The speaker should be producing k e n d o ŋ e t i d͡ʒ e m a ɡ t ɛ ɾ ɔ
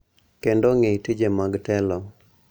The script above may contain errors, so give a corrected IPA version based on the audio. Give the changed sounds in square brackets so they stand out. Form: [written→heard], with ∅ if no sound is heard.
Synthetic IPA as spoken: k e n d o ŋ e t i d͡ʒ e m a ɡ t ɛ [ɾ→l] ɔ